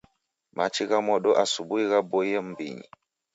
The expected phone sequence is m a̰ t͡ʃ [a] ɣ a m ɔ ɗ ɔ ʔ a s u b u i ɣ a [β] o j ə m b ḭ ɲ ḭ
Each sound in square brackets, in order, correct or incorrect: incorrect: i, incorrect: b

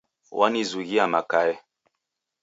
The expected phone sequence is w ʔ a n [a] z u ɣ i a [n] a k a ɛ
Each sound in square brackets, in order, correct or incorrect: incorrect: i, incorrect: m

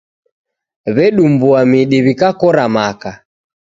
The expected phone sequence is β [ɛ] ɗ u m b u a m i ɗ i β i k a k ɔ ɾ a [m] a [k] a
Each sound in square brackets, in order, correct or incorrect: correct, correct, correct

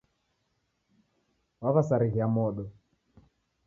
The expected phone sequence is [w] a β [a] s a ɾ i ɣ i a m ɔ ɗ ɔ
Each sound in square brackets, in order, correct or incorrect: correct, correct

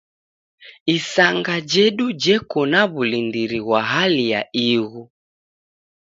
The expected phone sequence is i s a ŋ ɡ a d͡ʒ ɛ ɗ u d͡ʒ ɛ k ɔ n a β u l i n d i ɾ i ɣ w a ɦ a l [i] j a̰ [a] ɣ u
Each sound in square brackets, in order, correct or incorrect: correct, incorrect: i

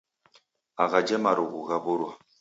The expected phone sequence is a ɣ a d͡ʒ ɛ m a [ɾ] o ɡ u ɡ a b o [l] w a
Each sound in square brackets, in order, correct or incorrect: correct, incorrect: ɾ

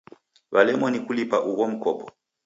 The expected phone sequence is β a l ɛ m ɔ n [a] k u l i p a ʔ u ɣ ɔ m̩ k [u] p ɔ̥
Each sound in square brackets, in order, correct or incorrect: incorrect: i, incorrect: ɔ

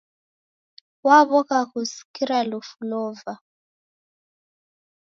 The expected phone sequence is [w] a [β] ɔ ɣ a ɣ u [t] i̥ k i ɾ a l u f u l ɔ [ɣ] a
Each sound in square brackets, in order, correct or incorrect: correct, correct, incorrect: s, incorrect: v

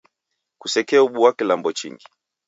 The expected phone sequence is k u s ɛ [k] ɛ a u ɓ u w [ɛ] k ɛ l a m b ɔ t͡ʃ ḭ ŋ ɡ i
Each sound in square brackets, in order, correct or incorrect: correct, incorrect: a

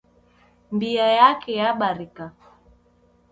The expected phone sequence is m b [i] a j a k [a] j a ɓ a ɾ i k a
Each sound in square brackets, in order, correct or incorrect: correct, incorrect: ɛ

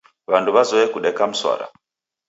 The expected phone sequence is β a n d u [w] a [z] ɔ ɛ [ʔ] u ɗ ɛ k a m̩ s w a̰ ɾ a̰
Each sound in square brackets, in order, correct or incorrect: incorrect: β, correct, incorrect: k

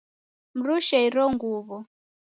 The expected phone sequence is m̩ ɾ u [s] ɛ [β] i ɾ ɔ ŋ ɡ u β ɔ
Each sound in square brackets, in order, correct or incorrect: incorrect: ʃ, incorrect: none

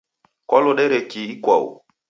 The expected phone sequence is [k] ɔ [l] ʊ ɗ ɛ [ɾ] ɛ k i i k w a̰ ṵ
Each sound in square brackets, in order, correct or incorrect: correct, correct, correct

